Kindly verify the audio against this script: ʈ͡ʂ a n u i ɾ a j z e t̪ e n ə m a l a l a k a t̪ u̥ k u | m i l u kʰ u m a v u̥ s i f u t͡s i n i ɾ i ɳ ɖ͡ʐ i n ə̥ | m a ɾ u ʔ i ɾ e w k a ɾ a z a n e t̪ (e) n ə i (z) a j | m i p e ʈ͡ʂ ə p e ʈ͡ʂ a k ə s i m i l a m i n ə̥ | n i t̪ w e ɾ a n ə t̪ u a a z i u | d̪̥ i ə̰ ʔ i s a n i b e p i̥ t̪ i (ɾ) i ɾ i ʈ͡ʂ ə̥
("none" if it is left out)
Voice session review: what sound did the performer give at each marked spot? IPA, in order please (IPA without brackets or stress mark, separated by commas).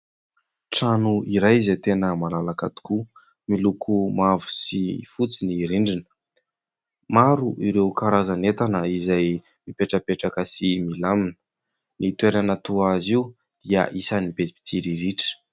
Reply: a, z, ɾ